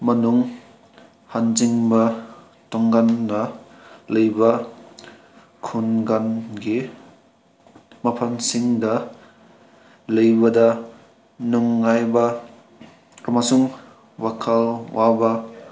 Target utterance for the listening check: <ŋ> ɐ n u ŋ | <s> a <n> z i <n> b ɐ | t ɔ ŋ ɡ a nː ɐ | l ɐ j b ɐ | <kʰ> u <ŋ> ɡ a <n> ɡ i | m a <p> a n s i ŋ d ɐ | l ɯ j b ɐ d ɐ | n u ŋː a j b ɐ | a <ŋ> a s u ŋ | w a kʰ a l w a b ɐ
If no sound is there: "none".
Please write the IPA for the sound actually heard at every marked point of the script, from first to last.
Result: m, h, n, ŋ, kʰ, n, n, pʰ, m

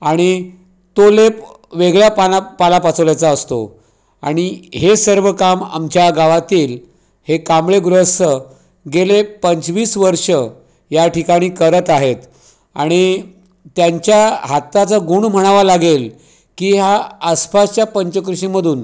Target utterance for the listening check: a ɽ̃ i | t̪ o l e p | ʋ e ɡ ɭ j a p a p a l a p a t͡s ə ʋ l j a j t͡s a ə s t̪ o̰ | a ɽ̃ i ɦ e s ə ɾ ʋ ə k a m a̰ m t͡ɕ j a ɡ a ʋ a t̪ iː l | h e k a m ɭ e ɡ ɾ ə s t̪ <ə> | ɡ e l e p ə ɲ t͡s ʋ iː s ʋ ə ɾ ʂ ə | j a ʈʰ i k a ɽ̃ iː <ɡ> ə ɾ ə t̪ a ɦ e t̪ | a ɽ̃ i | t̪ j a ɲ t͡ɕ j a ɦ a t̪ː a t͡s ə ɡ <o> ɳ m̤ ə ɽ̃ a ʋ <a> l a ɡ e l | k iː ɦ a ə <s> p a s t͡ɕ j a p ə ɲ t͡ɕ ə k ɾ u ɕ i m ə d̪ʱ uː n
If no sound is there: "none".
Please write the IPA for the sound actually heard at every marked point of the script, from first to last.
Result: ə, k, u, a, s

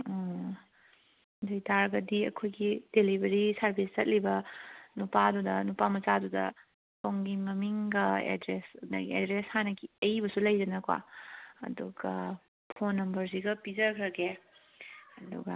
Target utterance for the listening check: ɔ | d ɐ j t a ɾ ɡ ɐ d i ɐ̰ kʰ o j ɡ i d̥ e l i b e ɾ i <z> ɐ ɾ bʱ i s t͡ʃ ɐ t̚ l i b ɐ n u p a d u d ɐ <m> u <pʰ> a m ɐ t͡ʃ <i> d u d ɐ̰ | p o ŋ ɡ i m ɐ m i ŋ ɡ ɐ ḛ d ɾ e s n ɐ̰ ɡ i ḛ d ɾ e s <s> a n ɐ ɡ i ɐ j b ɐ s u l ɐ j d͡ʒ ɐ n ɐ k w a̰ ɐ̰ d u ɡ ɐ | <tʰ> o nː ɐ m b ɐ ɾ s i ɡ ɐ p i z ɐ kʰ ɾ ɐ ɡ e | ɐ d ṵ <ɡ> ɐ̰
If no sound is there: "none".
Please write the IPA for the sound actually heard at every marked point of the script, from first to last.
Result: s, n, p, a, h, pʰ, ɡ

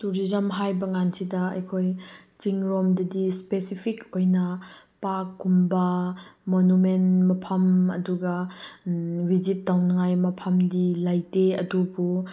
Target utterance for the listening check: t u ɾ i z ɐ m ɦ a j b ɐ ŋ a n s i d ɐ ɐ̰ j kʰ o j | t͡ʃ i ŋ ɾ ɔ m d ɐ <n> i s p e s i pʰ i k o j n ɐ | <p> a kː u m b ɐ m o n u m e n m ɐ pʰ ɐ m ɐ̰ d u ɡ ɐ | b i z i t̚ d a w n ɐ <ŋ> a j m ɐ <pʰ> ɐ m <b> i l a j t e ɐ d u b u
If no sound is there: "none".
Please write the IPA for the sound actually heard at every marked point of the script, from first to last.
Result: d, p, ŋ, pʰ, d

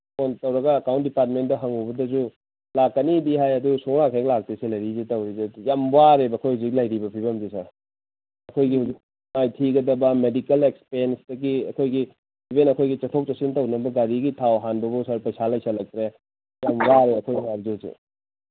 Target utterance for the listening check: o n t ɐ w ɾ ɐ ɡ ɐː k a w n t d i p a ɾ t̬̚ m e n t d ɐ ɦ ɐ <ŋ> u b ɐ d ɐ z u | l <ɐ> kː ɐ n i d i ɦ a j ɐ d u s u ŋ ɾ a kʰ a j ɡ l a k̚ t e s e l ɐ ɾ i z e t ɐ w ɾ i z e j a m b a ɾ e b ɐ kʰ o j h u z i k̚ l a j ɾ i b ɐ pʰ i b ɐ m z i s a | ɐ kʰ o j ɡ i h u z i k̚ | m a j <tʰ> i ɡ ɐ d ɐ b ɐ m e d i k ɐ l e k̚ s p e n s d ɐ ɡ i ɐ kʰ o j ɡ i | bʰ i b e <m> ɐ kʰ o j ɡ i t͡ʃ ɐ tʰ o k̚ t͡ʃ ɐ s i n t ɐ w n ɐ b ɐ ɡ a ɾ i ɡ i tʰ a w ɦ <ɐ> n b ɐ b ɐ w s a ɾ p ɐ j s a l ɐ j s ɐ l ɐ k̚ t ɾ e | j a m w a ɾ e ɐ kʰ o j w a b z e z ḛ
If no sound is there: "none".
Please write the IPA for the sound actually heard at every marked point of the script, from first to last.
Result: ŋ, a, tʰ, n, a

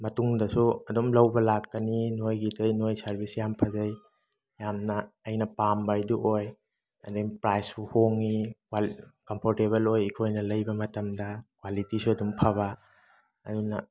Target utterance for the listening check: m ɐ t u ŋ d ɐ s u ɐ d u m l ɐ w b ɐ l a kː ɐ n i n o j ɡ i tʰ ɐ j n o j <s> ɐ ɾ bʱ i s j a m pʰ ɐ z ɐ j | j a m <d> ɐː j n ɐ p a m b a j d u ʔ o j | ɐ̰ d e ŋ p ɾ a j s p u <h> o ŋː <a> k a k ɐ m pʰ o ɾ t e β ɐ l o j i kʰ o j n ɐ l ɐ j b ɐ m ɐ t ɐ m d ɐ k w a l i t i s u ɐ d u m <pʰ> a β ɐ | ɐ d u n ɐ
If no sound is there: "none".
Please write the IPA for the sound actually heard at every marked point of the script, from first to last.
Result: s, n, h, i, pʰ

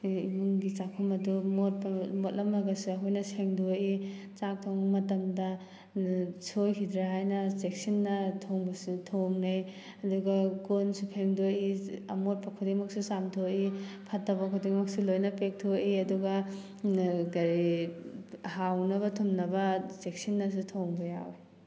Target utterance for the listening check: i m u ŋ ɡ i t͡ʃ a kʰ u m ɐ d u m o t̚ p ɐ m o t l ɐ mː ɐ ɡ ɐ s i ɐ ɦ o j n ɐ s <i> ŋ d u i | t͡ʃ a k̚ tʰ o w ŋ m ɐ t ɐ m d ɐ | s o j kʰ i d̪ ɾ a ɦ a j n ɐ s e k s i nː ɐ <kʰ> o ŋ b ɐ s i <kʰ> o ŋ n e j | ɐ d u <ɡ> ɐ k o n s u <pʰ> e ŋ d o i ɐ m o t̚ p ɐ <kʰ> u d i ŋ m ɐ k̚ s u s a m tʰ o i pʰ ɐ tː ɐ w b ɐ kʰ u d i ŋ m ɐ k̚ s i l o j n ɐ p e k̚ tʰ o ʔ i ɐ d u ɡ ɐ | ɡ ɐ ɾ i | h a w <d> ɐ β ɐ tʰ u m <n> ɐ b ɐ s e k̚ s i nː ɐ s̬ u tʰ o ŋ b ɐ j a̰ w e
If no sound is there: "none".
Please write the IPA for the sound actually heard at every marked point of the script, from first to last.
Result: e, tʰ, tʰ, ɡ, pʰ, kʰ, n, n

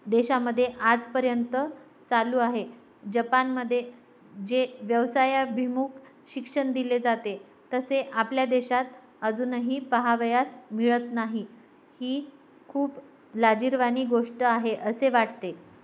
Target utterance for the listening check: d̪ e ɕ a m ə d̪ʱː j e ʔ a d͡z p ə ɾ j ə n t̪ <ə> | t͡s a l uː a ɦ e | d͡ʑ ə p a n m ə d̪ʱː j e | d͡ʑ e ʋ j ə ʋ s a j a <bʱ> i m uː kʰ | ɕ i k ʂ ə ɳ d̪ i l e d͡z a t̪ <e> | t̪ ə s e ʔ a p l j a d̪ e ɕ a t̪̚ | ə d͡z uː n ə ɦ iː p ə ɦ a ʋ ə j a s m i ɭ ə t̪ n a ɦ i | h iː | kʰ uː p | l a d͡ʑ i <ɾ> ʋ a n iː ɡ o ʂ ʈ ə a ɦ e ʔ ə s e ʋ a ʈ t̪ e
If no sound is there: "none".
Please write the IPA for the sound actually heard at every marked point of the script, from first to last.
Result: ə, bʱ, e, ɾ

